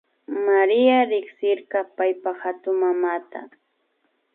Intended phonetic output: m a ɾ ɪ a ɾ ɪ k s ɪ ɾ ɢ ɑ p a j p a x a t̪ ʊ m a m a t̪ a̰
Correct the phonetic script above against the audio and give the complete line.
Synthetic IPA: m a ɾ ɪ a ɾ ɪ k s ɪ ɾ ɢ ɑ p a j p a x a t̪ ʊ m a m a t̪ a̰